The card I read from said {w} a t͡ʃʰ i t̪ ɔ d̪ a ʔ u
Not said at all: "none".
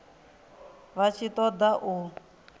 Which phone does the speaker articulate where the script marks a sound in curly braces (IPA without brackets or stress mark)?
β